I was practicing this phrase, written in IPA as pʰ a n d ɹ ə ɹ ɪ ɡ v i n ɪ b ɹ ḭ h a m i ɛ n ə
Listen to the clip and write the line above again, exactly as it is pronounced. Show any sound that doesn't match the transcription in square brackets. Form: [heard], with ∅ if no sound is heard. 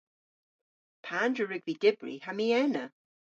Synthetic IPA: pʰ a n d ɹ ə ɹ ɪ ɡ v i [d] ɪ b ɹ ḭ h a m i ɛ n ə